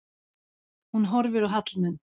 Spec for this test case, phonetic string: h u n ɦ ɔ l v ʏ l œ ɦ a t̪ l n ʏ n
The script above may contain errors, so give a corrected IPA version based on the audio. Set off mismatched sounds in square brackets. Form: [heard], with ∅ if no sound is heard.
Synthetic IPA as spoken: h u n ɦ ɔ [ɾ] v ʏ [ɾ] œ ɦ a t̪ l n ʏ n